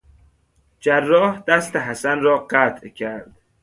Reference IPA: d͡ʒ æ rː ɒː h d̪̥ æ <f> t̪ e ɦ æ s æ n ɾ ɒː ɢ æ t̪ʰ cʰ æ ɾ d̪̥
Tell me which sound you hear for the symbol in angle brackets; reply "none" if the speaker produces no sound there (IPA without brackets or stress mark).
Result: s